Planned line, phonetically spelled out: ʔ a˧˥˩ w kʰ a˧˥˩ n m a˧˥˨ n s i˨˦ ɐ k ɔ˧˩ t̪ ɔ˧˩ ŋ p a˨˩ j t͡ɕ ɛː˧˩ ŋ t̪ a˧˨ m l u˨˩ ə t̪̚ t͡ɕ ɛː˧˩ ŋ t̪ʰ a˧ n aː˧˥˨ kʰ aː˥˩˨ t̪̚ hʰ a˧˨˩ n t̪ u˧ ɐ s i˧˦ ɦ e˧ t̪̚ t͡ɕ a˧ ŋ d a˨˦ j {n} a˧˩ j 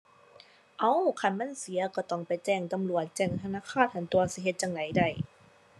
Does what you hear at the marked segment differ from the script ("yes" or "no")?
yes